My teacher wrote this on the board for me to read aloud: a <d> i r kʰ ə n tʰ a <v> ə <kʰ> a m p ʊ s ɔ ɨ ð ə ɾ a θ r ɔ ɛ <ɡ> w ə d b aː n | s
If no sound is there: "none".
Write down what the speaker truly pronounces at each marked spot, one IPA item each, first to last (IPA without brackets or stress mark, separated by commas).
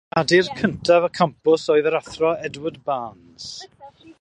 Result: d, v, kʰ, d